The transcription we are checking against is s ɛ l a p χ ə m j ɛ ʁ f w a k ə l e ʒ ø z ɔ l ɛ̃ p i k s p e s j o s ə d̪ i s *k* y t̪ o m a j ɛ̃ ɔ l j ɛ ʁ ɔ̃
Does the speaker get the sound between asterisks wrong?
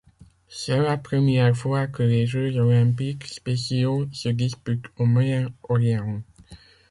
yes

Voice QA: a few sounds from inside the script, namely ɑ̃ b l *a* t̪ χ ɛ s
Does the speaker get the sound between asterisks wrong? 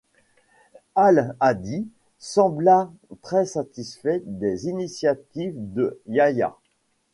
no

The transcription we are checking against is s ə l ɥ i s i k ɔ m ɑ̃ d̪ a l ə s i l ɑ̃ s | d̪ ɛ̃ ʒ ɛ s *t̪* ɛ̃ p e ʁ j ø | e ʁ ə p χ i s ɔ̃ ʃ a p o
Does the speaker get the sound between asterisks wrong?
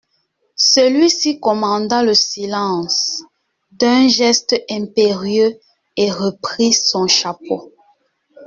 no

